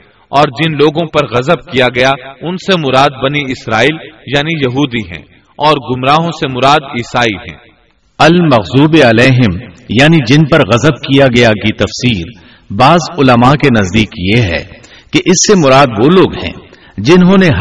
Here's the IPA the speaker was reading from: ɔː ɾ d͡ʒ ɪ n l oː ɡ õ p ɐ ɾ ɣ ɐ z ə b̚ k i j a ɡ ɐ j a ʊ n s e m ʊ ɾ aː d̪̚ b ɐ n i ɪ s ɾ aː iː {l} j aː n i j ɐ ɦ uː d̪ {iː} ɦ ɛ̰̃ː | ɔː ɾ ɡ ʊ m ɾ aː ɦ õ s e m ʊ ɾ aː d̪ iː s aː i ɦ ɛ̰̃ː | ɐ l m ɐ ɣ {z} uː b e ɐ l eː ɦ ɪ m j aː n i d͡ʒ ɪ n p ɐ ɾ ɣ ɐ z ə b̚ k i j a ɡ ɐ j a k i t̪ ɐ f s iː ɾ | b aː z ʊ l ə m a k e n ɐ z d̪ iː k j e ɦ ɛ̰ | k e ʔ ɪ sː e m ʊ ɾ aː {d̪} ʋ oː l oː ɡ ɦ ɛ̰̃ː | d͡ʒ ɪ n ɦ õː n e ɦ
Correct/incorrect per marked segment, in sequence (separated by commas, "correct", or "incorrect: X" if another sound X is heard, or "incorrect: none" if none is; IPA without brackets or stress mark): correct, incorrect: i, correct, correct